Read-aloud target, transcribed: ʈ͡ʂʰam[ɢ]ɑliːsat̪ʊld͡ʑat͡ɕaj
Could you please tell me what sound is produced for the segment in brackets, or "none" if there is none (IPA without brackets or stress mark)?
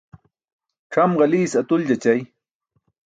ɢ